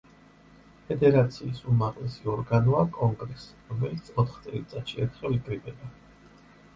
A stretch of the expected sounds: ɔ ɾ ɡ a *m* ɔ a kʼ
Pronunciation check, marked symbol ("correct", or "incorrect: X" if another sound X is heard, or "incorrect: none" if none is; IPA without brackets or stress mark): incorrect: n